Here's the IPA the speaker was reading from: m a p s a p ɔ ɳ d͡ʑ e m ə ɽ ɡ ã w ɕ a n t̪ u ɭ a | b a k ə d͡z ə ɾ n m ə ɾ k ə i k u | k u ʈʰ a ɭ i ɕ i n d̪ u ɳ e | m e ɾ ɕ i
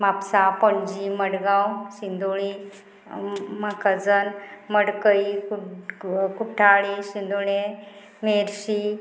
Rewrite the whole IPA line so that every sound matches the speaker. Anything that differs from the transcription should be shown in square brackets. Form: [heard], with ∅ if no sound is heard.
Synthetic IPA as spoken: m a p s a p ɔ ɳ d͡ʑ [i] m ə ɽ ɡ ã w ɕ [i] n [d̪] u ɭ [i] | [m] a k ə d͡z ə [∅] n m ə [ɽ] k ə i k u | k u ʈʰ a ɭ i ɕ i n d̪ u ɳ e | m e ɾ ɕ i